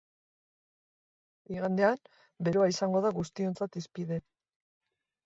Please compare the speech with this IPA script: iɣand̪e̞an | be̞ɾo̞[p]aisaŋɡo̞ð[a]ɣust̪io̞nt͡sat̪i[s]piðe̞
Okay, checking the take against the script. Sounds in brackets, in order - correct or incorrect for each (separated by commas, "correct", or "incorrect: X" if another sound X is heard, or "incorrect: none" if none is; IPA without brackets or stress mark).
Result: incorrect: none, correct, correct